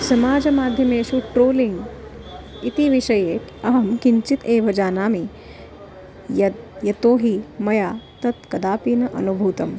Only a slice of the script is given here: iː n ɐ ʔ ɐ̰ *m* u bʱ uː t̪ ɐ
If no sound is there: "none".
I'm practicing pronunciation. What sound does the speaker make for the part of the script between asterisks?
n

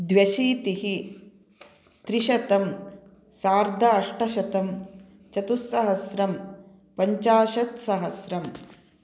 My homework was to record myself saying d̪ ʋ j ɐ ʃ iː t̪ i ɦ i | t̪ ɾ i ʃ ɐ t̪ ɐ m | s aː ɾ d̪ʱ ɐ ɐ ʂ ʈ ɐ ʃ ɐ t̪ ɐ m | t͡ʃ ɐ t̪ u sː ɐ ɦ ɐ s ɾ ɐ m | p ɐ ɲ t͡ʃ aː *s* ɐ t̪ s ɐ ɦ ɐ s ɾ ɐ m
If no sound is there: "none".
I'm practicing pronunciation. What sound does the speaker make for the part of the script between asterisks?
ʃ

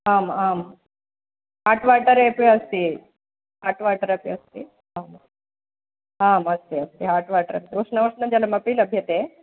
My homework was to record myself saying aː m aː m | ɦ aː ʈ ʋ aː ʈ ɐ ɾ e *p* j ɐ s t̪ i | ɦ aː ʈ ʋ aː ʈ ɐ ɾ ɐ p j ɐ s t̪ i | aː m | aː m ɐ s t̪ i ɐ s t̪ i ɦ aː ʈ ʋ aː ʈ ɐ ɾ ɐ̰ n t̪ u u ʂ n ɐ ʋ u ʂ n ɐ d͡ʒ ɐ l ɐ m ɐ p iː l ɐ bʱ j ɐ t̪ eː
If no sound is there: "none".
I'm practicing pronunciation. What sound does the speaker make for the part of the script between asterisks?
p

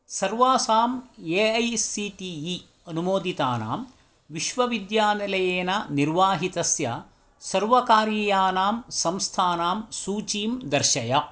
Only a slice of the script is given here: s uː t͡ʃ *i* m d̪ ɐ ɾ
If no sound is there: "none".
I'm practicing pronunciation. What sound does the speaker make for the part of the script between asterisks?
iː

